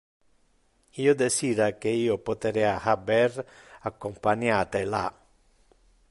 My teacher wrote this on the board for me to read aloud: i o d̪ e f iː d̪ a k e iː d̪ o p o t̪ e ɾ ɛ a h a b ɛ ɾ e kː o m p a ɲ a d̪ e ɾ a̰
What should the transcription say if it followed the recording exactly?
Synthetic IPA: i o d̪ e s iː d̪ a k e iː o p o t̪ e ɾ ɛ a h a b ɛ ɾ a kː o m p a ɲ a t̪ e l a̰

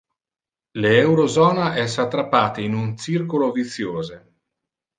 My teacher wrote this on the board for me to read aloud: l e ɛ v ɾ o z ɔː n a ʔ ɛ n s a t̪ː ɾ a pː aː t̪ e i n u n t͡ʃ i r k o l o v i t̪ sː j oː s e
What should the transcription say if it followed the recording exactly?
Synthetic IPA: l e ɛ w ɾ o z ɔː n a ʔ ɛ s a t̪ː ɾ a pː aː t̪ e i n u n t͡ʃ i r k o l o v i t̪ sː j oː z e

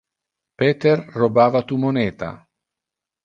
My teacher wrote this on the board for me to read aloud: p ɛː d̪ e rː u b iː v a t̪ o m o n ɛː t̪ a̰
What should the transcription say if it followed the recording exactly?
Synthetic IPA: p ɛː t̪ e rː o b aː v a t̪ u m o n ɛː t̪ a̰

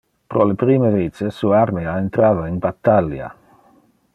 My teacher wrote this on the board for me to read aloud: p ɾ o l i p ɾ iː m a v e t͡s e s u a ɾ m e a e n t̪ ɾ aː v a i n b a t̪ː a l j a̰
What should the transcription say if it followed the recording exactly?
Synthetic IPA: p ɾ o l e p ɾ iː m e v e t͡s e s u a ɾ m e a e n t̪ ɾ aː v a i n b a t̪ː a l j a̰

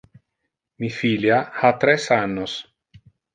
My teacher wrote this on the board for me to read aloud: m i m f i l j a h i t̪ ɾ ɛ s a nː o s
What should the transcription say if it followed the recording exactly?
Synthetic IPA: m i f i l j a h a t̪ ɾ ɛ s a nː o s

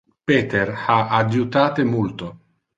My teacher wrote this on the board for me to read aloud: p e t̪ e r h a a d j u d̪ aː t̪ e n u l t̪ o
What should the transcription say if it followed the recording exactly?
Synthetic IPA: p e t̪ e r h a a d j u t̪ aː t̪ e m u l t̪ o

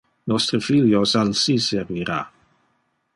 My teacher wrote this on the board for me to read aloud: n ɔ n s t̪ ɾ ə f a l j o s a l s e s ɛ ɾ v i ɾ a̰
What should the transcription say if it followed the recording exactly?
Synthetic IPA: n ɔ s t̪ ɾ ə f i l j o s a l s i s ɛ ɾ v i ɾ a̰

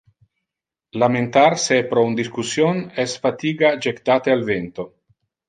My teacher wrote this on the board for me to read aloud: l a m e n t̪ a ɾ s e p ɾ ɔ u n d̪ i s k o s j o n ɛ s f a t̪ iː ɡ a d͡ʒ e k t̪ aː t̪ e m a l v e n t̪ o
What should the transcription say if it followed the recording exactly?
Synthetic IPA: l a m e n t̪ a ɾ s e p ɾ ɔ u n d̪ i s k u s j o n ɛ s f a t̪ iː ɡ a d͡ʒ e k t̪ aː t̪ e a l v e n t̪ o

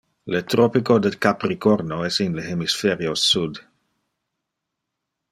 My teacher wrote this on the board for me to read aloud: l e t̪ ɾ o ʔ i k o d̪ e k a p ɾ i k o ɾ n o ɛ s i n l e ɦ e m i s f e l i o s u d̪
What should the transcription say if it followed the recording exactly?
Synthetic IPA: l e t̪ ɾ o p i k o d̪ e k a p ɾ i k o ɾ n o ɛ s i n l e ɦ e m i s f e ɾ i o s u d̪

